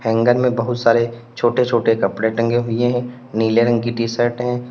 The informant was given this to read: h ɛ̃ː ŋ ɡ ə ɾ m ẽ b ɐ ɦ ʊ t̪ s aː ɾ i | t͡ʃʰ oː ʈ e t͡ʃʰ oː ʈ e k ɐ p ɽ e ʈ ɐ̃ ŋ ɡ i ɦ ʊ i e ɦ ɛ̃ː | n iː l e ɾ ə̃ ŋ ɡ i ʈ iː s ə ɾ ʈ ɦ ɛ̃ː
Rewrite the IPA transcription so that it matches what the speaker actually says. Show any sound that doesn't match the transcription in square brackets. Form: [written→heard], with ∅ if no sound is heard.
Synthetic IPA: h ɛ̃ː ŋ ɡ ə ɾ m ẽ b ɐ ɦ ʊ t̪ s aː ɾ [i→e] | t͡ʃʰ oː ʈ e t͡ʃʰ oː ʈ e k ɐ p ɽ e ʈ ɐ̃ ŋ ɡ [i→e] ɦ ʊ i e ɦ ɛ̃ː | n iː l e ɾ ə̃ ŋ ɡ i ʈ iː s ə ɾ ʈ ɦ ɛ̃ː